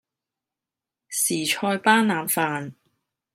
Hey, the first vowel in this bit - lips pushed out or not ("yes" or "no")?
no